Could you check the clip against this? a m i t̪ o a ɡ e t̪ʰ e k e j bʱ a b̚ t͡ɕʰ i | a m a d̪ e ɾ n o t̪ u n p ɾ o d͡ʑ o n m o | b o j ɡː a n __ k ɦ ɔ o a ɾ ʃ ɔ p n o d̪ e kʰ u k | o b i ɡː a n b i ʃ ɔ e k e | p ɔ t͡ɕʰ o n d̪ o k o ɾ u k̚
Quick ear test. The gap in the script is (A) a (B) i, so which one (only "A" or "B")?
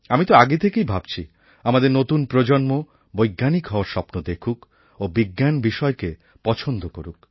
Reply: B